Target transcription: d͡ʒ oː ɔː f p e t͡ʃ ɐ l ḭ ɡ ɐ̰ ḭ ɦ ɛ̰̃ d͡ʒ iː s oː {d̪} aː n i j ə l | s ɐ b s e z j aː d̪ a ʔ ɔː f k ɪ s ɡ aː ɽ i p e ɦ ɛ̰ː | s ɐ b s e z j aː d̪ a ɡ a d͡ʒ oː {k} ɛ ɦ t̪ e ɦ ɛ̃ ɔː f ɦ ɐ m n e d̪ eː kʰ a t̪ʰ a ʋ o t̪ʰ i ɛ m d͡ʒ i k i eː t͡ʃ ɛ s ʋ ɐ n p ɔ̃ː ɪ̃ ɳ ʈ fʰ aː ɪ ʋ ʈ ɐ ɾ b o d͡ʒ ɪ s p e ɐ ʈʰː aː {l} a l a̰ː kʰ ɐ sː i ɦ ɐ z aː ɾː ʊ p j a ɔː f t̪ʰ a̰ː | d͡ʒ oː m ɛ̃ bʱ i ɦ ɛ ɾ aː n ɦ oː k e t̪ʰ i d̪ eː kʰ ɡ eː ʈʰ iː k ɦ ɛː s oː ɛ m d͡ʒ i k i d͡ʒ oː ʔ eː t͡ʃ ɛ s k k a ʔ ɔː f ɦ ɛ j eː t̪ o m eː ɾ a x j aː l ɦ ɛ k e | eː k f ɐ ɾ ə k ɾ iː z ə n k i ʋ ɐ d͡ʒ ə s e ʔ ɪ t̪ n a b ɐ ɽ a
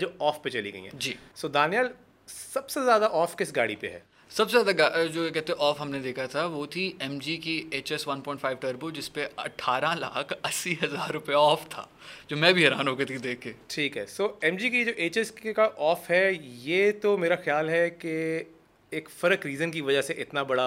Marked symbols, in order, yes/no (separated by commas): yes, yes, no